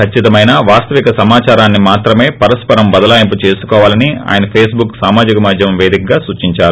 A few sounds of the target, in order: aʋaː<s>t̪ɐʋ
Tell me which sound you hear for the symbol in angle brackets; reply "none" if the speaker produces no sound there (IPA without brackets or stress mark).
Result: s